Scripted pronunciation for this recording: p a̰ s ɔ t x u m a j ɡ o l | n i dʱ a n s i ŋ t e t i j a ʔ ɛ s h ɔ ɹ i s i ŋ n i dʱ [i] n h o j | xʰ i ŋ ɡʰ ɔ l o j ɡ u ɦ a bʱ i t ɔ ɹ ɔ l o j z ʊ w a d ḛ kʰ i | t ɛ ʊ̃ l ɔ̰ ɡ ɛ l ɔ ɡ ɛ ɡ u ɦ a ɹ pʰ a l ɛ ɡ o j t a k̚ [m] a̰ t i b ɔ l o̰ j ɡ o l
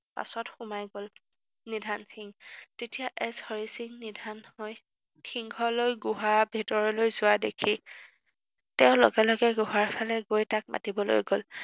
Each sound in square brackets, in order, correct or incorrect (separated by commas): incorrect, correct